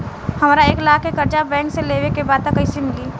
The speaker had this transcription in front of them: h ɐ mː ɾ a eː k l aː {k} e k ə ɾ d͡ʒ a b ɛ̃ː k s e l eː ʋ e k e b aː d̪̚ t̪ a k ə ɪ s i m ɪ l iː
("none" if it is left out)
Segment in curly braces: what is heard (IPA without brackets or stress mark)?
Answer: k